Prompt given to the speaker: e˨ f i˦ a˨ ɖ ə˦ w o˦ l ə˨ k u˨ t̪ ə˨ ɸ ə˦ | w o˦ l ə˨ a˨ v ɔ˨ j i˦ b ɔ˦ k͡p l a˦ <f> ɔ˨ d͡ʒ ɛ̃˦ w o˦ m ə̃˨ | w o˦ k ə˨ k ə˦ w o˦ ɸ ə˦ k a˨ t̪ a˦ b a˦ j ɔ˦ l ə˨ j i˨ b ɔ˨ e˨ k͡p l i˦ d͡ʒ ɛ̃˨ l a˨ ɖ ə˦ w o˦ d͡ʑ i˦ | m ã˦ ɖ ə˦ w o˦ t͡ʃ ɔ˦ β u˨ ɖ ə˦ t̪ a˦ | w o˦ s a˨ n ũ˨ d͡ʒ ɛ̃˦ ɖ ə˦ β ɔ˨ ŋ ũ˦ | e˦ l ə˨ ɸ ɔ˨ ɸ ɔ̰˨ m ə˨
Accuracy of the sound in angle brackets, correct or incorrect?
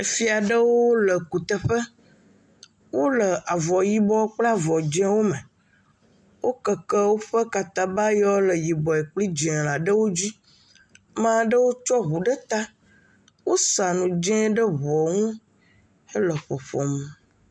incorrect